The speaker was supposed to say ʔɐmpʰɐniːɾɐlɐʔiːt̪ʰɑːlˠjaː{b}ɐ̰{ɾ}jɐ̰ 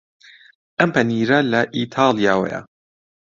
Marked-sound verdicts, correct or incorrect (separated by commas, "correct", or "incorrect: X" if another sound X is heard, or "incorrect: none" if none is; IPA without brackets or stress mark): incorrect: w, incorrect: none